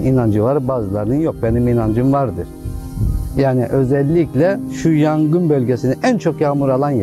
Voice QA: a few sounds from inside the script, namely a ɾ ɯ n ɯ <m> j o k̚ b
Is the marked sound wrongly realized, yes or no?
yes